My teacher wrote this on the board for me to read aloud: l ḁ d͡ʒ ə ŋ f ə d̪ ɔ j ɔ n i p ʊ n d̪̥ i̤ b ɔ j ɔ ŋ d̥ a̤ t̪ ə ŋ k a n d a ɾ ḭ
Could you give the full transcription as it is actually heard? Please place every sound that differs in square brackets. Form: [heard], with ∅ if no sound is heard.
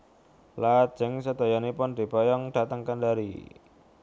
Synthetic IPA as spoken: l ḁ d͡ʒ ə ŋ [s] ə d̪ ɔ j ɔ n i p ʊ n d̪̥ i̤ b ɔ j ɔ ŋ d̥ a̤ t̪ ə ŋ k a n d a ɾ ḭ